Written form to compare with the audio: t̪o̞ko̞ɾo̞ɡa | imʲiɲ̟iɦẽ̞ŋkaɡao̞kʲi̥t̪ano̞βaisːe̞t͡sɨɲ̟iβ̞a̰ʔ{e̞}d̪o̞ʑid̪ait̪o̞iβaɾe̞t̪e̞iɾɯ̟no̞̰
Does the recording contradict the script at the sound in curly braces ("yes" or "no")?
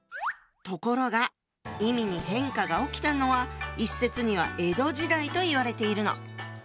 no